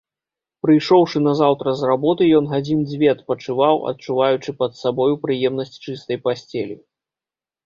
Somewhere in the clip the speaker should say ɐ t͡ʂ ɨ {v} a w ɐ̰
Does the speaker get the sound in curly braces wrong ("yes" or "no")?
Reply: no